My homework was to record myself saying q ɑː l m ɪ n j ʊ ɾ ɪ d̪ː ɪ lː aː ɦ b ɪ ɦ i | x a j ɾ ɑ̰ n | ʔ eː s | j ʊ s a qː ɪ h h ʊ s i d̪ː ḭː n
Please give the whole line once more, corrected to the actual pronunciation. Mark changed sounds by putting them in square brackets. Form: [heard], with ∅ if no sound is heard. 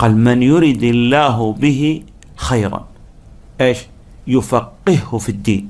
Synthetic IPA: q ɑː l m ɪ n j ʊ ɾ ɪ [d̪] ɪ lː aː ɦ b ɪ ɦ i | x a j ɾ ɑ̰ n | ʔ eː [ʃ] | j ʊ [f] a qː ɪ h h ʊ [f] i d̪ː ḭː n